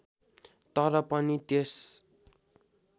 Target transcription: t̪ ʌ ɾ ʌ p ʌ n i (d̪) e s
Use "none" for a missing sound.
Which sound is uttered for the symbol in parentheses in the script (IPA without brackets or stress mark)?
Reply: t̪